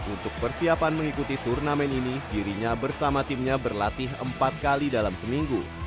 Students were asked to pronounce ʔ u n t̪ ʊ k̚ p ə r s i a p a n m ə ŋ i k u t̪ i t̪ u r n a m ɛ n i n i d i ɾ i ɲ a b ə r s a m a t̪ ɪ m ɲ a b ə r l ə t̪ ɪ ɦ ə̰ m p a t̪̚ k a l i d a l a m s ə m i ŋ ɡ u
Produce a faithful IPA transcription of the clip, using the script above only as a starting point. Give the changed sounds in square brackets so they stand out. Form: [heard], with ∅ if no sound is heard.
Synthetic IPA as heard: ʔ u n t̪ ʊ k̚ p ə r s i a p a n m ə ŋ i k u t̪ i t̪ u r n a m ɛ n i n i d i ɾ i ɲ a b ə r s a m a t̪ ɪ m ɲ a b ə r l [a] t̪ ɪ ɦ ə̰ m p a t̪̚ k a l i d a l a m s ə m i ŋ ɡ u